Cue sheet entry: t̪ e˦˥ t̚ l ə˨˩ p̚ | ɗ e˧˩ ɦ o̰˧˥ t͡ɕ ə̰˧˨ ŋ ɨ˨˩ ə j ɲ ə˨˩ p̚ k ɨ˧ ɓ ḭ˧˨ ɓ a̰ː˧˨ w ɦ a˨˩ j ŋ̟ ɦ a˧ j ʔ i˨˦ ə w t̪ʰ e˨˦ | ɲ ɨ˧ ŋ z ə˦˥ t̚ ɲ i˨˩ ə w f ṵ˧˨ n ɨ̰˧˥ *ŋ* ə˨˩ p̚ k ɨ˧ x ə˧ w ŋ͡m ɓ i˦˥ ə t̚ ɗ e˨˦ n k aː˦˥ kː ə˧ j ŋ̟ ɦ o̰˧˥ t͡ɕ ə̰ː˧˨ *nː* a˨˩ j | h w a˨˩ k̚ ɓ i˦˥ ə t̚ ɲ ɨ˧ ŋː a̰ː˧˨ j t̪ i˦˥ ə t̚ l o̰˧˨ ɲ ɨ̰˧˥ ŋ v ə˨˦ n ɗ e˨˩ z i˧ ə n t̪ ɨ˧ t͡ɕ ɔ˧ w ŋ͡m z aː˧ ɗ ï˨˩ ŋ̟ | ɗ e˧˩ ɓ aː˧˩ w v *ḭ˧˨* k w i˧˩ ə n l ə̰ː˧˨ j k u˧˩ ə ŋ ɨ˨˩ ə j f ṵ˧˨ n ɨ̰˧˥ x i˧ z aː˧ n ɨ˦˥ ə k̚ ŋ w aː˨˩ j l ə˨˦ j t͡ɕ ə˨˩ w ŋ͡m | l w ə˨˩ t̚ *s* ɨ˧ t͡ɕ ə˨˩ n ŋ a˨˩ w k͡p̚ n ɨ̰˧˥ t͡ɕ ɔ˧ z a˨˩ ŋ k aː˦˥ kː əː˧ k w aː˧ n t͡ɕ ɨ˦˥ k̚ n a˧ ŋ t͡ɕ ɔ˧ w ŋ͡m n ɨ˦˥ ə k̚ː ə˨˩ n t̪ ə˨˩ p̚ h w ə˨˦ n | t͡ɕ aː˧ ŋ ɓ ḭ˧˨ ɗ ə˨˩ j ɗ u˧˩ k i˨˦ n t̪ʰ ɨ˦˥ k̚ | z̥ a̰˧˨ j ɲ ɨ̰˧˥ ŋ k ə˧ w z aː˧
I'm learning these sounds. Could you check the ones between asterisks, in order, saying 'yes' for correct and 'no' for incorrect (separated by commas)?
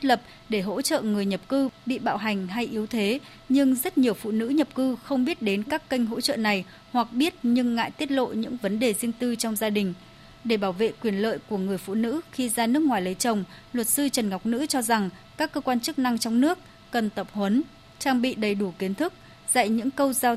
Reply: no, no, no, yes